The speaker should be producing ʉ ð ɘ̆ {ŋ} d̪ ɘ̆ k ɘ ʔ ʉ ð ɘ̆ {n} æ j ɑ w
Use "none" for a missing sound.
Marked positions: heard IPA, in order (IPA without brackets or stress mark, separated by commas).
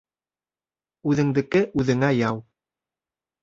ŋ, ŋ